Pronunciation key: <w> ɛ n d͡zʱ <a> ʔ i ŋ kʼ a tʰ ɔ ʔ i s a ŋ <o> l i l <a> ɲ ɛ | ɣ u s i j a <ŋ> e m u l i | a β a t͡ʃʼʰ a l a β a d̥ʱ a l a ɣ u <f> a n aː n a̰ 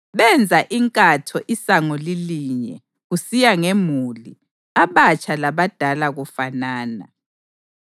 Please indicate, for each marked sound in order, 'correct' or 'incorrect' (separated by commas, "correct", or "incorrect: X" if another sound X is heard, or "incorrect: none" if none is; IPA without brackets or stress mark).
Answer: incorrect: β, correct, incorrect: ɔ, incorrect: i, correct, correct